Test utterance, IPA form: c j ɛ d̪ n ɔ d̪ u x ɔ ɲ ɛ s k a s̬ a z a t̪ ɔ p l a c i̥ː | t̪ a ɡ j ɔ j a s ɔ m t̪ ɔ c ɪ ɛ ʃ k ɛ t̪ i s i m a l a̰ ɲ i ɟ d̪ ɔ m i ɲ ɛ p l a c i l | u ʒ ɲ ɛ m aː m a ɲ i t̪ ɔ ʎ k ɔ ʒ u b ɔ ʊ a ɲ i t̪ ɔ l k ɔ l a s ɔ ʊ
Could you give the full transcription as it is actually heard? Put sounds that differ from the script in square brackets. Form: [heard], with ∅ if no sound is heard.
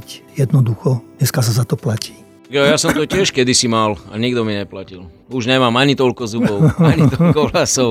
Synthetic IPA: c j ɛ d̪ n ɔ d̪ u x ɔ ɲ ɛ s k a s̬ a z a t̪ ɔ p l a c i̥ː | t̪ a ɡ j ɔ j a s ɔ m t̪ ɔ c ɪ ɛ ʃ k ɛ [d̪] i s i m a l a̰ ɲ i [ɡ] d̪ ɔ m i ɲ ɛ p l a c i l | u ʒ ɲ ɛ m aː m a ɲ i t̪ ɔ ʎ k ɔ [z] u b ɔ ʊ a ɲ i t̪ ɔ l k ɔ l a s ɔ ʊ